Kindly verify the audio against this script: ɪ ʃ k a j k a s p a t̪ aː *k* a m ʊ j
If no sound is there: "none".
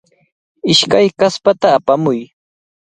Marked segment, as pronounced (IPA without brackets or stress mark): p